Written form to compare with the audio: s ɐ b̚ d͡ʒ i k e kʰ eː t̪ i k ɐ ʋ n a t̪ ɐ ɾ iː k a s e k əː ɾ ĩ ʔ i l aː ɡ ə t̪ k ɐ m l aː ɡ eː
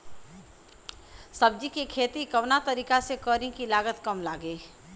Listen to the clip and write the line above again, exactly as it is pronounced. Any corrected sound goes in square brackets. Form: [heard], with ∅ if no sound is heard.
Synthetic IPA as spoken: s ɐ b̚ d͡ʒ i k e kʰ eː t̪ i k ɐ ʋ n a t̪ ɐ ɾ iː k a s e k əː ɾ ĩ [k] i l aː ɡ ə t̪ k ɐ m l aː ɡ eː

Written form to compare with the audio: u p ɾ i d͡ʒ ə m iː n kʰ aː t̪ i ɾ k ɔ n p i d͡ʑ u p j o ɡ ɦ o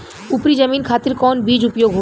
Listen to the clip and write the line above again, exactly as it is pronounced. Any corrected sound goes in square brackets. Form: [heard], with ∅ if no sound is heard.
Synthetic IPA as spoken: u p ɾ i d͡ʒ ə m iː n kʰ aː t̪ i ɾ k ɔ n [b] i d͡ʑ u p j o ɡ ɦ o

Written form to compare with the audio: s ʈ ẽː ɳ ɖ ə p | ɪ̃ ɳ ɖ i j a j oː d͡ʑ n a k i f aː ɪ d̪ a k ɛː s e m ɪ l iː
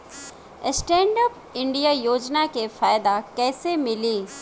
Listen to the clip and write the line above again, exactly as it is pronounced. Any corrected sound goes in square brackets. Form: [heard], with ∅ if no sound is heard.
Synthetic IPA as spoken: s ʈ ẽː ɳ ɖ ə p | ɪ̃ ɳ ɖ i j a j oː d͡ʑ n a k [e] f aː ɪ d̪ a k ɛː s e m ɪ l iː

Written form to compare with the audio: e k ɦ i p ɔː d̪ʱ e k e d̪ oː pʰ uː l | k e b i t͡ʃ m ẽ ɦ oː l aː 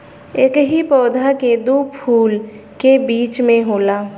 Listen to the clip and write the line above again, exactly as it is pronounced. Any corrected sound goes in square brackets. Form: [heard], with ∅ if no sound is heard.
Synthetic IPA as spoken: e k ɦ i p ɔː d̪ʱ [a] k e d̪ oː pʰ uː l | k e b [iː] t͡ʃ m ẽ ɦ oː l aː

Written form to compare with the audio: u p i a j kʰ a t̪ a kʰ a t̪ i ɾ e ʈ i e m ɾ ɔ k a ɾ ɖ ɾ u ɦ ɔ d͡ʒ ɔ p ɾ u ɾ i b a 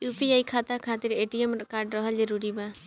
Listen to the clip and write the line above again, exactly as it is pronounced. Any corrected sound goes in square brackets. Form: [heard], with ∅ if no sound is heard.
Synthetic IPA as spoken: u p i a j kʰ a t̪ a kʰ a t̪ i ɾ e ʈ i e m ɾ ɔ k a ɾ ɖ ɾ [ɔ] ɦ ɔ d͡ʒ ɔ [∅] ɾ u ɾ i b a

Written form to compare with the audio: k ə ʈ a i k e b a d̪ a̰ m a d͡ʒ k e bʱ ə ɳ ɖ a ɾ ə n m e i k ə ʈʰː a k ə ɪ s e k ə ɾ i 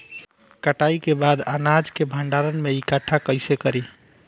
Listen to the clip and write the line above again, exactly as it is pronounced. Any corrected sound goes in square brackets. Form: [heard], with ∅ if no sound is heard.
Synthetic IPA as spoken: k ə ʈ a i k e b a d̪ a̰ [n] a d͡ʒ k e bʱ ə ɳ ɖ a ɾ ə n m e i k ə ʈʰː a k ə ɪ s e k ə ɾ i

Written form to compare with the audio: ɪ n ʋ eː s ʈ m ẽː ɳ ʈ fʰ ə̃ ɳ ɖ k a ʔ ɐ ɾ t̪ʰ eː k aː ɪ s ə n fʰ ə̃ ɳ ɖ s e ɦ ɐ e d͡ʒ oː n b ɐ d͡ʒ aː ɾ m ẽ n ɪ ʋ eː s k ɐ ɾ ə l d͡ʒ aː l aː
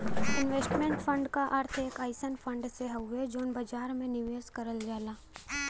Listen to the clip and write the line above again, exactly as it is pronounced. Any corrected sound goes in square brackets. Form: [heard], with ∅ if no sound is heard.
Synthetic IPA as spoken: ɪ n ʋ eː s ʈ m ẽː ɳ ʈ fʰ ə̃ ɳ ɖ k a ʔ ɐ ɾ t̪ʰ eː k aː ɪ s ə n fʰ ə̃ ɳ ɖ s e ɦ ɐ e d͡ʒ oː n b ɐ d͡ʒ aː ɾ m ẽ n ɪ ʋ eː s k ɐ ɾ ə l d͡ʒ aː l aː

